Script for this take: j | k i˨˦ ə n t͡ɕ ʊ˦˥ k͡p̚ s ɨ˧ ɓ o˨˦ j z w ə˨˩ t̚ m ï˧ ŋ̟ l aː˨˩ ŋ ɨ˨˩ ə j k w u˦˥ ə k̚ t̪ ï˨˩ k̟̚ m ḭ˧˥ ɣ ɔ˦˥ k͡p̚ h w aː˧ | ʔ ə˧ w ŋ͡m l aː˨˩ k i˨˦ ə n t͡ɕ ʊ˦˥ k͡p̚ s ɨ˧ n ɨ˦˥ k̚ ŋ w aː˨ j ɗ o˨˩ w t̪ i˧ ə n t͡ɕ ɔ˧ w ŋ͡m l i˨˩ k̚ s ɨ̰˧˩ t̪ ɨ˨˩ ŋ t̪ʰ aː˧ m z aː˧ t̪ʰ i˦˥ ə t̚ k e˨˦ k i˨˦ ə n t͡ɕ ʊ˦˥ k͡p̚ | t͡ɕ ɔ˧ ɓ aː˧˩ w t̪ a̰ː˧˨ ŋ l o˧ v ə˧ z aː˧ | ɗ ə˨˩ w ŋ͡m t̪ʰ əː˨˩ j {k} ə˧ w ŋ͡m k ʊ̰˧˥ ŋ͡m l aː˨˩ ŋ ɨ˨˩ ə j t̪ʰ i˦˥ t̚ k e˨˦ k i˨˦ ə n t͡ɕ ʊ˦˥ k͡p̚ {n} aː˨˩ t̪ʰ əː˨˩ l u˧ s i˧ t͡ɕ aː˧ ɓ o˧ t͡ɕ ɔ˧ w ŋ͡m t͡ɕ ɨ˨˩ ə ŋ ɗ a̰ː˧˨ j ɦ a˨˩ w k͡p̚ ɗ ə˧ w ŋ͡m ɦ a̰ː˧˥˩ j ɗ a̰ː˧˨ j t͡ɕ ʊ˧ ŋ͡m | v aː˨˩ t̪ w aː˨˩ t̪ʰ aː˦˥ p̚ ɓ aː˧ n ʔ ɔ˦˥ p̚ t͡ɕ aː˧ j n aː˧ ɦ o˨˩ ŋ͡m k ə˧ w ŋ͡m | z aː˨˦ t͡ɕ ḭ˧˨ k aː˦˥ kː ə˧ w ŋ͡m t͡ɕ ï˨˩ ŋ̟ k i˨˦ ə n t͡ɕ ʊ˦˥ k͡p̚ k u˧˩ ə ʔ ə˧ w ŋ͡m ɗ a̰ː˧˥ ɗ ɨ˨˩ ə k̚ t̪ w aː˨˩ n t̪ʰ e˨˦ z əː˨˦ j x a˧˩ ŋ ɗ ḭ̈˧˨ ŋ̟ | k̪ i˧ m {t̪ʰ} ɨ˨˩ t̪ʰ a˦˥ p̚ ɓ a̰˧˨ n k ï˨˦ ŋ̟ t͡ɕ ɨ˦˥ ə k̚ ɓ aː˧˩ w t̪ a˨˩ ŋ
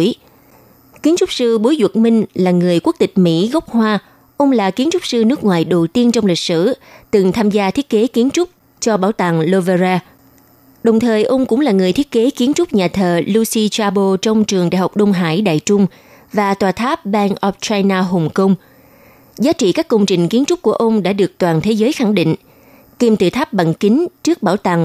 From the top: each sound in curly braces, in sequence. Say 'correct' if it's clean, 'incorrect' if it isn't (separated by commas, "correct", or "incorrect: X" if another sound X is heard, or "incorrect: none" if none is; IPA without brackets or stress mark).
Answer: incorrect: ʔ, incorrect: ɲ, incorrect: t̪